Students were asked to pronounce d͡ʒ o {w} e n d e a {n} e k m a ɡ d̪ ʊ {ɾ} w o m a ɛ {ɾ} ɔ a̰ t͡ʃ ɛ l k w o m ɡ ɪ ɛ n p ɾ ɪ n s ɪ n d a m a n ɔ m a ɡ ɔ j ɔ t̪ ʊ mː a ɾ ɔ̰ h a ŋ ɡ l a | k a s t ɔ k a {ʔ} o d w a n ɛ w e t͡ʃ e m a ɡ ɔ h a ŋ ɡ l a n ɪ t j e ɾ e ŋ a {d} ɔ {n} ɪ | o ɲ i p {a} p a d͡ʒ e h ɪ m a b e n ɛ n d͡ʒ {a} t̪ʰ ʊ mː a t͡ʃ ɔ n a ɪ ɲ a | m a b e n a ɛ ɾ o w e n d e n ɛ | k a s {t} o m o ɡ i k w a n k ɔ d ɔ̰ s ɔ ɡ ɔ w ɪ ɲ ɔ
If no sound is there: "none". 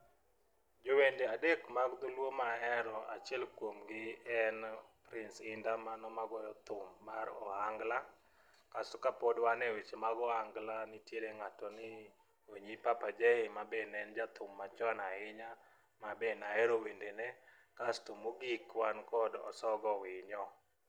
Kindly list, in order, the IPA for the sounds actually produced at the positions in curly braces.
w, d, l, ɾ, p, t, n, a, a, t

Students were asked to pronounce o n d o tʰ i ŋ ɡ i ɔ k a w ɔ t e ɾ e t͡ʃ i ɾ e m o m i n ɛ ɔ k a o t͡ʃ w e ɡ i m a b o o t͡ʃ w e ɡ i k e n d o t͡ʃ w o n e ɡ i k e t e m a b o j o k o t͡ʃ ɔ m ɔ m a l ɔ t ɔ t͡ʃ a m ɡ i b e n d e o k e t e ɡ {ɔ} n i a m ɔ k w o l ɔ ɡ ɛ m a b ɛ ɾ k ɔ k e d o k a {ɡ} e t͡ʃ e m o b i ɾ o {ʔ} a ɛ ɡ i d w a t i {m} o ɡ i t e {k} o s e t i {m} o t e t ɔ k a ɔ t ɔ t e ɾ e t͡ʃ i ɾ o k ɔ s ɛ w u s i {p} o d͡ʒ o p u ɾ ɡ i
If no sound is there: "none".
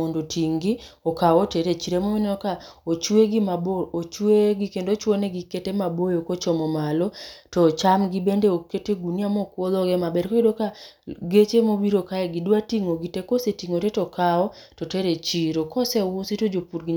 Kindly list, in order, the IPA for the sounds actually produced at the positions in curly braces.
u, ɡ, k, ŋ, k, ŋ, t

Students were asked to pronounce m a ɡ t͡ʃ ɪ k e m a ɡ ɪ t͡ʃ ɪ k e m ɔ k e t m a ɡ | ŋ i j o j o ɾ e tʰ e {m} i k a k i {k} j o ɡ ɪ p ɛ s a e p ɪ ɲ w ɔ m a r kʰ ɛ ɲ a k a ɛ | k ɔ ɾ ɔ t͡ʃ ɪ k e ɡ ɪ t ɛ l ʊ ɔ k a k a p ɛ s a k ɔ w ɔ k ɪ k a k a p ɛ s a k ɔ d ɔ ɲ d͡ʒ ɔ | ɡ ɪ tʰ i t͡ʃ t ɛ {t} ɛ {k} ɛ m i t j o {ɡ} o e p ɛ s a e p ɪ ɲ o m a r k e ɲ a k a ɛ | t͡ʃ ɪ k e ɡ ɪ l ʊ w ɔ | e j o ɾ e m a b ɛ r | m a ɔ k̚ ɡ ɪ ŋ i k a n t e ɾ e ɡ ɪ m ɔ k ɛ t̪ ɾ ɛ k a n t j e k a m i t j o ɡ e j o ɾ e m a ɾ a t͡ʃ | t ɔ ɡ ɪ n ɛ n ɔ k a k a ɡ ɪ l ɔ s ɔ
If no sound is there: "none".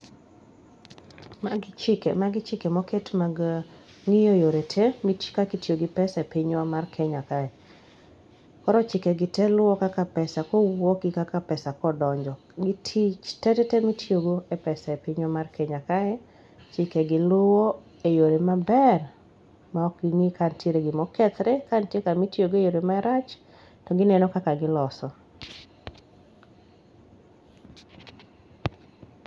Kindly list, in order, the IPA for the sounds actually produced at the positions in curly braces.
m, t, t, t, ɡ

